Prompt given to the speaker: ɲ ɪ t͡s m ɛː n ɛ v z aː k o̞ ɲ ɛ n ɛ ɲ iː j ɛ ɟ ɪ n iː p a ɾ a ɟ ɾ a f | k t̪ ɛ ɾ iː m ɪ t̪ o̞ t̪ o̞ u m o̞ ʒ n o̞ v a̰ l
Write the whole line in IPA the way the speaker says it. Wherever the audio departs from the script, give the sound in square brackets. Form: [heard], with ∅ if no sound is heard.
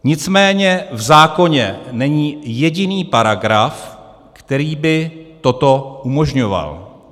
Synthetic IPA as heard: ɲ ɪ t͡s m ɛː [ɲ] ɛ v z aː k o̞ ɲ ɛ n ɛ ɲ iː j ɛ ɟ ɪ n iː p a ɾ a [ɡ] ɾ a f | k t̪ ɛ ɾ iː [b] ɪ t̪ o̞ t̪ o̞ u m o̞ ʒ [ɲ] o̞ v a̰ l